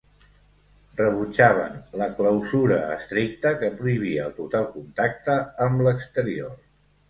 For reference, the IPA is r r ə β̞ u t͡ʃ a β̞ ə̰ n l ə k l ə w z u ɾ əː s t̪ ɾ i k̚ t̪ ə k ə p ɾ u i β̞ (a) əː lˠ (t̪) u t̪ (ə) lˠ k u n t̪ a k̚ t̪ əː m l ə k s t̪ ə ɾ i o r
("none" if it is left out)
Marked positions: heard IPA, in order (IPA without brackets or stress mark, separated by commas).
i, t̪, a